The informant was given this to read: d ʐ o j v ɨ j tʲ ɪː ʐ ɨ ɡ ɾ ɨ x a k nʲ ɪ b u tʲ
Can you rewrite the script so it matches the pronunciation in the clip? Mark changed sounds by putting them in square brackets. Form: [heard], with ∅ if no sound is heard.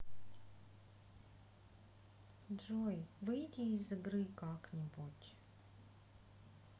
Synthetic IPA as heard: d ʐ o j v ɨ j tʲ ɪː [z] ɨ ɡ ɾ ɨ [k] a k nʲ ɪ b u tʲ

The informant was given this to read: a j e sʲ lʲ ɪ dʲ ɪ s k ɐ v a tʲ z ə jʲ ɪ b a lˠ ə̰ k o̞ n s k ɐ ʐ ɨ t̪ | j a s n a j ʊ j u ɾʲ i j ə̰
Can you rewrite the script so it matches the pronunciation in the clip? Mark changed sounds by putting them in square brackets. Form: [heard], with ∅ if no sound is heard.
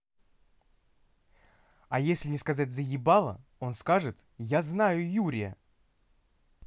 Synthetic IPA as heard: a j e sʲ lʲ ɪ [nʲ] ɪ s k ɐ [z] a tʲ z ə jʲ ɪ b a lˠ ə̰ [∅] o̞ n s k [a] ʐ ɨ t̪ | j a [z] n a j ʊ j u ɾʲ [ɪ] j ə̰

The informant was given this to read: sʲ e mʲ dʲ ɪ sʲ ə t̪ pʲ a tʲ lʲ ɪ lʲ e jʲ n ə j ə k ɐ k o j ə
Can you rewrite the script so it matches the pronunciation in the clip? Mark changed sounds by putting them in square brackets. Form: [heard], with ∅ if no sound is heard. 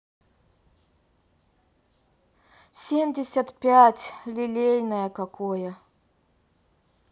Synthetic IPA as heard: sʲ e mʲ dʲ ɪ sʲ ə t̪ pʲ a tʲ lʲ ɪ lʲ e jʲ n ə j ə k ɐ k o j ə

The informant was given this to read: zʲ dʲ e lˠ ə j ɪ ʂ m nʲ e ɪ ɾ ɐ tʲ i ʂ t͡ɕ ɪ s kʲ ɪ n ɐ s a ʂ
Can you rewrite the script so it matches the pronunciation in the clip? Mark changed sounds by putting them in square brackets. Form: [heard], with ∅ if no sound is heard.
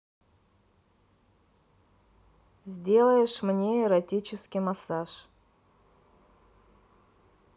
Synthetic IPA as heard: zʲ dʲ e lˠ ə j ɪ ʂ m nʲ e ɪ ɾ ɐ tʲ i [∅] t͡ɕ ɪ s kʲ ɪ [m] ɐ s a ʂ

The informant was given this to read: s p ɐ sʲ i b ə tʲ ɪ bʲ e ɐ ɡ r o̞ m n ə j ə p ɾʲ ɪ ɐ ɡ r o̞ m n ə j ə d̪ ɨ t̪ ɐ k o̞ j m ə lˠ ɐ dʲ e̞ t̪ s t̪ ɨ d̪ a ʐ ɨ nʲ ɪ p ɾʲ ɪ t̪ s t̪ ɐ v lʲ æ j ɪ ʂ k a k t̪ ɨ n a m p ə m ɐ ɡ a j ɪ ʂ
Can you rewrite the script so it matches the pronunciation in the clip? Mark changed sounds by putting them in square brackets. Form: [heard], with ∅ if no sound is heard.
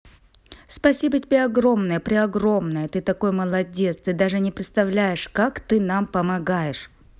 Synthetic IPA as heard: s p ɐ sʲ i b ə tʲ ɪ bʲ e ɐ ɡ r o̞ m n ə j ə p ɾʲ ɪ ɐ ɡ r o̞ m n ə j ə [t̪] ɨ t̪ ɐ k o̞ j m ə lˠ ɐ dʲ e̞ t̪ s t̪ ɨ d̪ a ʐ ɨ nʲ ɪ p ɾʲ ɪ t̪ s t̪ ɐ v lʲ æ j ɪ ʂ k a k t̪ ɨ n a m p ə m ɐ ɡ a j ɪ ʂ

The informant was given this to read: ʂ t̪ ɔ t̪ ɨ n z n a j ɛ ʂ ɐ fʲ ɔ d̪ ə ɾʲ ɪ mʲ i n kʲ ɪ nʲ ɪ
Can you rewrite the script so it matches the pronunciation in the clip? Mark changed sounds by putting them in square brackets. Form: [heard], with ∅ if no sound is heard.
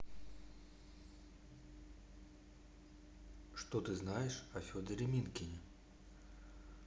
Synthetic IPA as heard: ʂ t̪ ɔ t̪ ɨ [∅] z n a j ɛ ʂ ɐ fʲ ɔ d̪ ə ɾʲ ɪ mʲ i n kʲ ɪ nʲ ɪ

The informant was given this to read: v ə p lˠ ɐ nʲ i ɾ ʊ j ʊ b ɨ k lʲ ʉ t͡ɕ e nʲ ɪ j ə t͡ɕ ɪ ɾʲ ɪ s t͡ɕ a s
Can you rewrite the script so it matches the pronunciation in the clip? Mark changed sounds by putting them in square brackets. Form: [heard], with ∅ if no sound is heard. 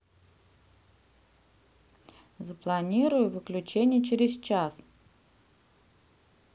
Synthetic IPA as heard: [z] ə p lˠ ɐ nʲ i ɾ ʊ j ʊ [v] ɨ k lʲ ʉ t͡ɕ e nʲ ɪ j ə t͡ɕ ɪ ɾʲ ɪ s t͡ɕ a s

